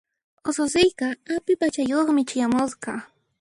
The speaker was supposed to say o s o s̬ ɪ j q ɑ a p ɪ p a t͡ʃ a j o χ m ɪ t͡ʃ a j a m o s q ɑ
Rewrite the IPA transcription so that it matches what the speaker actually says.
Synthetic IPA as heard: o s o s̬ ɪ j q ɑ a p ɪ p a t͡ʃ a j o χ m ɪ t͡ʃ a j a m o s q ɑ

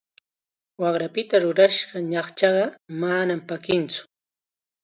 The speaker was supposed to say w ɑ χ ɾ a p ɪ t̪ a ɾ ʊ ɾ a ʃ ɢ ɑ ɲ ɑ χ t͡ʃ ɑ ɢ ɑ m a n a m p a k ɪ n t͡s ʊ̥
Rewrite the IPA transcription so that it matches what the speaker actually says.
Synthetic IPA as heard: w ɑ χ ɾ a p ɪ t̪ a ɾ ʊ ɾ a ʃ ɢ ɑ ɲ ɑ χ t͡ʃ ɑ ɢ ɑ m a n a m p a k ɪ n t͡s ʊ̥

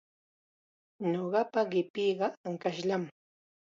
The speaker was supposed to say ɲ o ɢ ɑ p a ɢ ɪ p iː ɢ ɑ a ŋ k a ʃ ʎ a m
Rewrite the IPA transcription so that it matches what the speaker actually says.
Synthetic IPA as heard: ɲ o ɢ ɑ p a ɢ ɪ p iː ɢ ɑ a ŋ k a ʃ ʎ a m

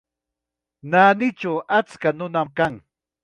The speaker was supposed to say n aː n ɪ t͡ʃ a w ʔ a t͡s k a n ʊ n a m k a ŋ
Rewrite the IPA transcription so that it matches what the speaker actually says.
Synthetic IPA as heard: n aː n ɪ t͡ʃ a w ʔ a t͡s k a n ʊ n a m k a ŋ

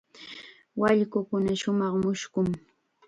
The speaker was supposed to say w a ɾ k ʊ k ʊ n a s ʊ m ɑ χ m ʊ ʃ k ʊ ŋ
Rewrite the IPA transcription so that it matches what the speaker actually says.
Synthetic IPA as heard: w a ʎ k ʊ k ʊ n a ʃ ʊ m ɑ χ m ʊ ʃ k ʊ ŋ

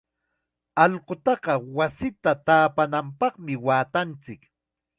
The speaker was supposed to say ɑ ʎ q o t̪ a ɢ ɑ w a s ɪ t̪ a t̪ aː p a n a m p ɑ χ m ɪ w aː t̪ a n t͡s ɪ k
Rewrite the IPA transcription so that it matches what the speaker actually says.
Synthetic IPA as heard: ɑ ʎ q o t̪ ɑ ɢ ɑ w a s ɪ t̪ a t̪ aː p a n a m p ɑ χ m ɪ w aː t̪ a n t͡s ɪ k

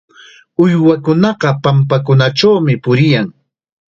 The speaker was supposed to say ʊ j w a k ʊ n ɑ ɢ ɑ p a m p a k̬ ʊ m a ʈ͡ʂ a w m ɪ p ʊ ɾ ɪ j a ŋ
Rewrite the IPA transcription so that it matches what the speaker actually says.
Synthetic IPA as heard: ʊ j w a k ʊ n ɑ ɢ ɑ p a m p a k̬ ʊ n a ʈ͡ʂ a w m ɪ p ʊ ɾ ɪ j a ŋ

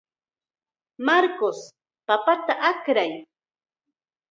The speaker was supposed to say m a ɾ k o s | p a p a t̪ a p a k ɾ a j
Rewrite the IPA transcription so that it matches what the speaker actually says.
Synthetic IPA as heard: m a ɾ k o s | p a p a t̪ a ʔ a k ɾ a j

